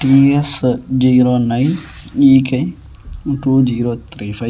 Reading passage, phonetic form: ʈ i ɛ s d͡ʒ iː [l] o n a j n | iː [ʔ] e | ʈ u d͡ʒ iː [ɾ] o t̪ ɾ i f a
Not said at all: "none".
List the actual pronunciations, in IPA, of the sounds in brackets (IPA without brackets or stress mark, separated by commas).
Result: ɾ, k, ɾ